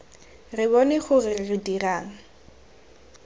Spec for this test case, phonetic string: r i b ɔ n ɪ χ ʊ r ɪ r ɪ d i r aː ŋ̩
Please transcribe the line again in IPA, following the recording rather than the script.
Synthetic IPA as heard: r ɪ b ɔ n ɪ χ ʊ r ɪ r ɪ d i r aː ŋ̩